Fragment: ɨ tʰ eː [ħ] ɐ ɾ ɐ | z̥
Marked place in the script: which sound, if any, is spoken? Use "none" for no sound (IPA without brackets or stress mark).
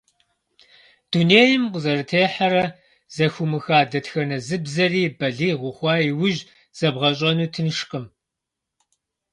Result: ħ